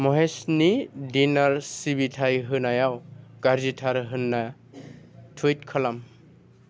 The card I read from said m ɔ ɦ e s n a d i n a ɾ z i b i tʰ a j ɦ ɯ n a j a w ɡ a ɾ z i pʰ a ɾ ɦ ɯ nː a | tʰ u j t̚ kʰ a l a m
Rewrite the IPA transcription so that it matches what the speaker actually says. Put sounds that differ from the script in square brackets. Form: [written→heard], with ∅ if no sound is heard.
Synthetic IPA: m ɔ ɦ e s n [a→i] d i n a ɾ [z→s] i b i tʰ a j ɦ ɯ n a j a w ɡ a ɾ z i [pʰ→tʰ] a ɾ ɦ ɯ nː a | tʰ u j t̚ kʰ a l a m